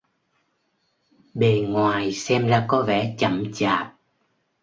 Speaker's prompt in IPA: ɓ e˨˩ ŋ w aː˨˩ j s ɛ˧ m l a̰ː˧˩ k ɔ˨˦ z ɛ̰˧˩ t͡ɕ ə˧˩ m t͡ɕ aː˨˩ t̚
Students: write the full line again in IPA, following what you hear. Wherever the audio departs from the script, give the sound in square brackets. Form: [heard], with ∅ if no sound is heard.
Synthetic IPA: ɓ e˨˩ ŋ w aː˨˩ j s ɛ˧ m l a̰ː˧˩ k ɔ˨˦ [v] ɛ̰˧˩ t͡ɕ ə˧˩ m t͡ɕ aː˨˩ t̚